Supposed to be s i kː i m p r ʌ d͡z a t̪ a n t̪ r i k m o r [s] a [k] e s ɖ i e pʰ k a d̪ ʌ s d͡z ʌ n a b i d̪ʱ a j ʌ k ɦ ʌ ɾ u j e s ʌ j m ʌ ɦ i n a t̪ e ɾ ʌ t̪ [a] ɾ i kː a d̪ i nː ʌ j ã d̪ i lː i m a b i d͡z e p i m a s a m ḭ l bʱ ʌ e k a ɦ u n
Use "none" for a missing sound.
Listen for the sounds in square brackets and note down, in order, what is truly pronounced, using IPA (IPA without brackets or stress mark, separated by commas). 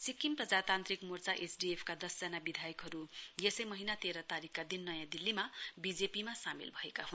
t͡s, ʔ, a